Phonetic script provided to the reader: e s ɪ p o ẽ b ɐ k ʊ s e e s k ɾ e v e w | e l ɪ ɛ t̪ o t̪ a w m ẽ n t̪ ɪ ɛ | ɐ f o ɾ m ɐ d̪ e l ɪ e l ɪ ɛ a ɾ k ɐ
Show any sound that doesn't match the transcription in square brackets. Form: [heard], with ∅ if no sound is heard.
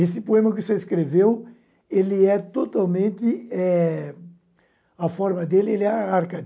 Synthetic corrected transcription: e s ɪ p o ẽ [m] ɐ k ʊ s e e s k ɾ e v e w | e l ɪ ɛ t̪ o t̪ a w m ẽ n t̪ ɪ ɛ | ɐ f [ɔ] ɾ m ɐ d̪ e l ɪ e l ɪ ɛ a ɾ k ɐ